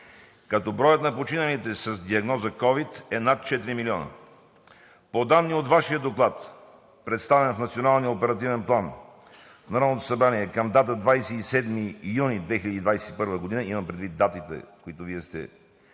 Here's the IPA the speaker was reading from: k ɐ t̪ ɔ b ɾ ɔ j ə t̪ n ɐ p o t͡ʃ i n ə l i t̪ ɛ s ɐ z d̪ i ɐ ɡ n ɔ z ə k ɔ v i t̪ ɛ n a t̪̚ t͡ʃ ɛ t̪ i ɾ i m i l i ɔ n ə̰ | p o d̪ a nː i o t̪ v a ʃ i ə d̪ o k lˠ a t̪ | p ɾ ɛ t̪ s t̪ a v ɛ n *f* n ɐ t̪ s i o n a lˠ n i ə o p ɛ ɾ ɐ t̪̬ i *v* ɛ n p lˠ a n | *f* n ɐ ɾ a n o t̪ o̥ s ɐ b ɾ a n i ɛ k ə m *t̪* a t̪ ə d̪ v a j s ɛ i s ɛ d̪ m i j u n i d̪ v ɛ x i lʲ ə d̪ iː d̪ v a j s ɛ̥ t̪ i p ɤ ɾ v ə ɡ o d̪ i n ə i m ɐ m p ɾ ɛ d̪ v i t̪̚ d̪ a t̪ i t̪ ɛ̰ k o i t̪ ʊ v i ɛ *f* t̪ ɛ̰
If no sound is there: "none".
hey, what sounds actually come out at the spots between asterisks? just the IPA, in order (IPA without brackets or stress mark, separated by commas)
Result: f, v, f, d̪, s